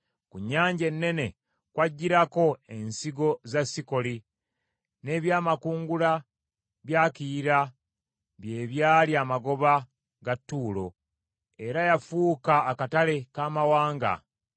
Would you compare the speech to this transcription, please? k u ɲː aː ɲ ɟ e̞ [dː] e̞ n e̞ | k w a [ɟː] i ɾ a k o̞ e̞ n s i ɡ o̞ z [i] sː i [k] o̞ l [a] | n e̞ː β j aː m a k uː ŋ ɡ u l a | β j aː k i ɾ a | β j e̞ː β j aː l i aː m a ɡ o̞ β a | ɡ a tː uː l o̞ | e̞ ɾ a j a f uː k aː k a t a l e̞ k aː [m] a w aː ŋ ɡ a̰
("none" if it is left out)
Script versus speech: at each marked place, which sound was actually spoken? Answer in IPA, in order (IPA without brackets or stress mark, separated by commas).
nː, ɟː, a, k, i, m